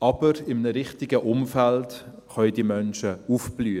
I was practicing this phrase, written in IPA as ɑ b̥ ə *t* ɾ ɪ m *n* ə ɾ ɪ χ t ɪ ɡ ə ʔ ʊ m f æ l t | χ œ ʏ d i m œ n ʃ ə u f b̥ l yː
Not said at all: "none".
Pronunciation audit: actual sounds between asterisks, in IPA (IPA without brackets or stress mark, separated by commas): none, n